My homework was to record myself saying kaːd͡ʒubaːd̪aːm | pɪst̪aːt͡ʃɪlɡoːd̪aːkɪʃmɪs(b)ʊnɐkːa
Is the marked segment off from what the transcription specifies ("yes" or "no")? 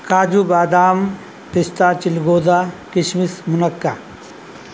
yes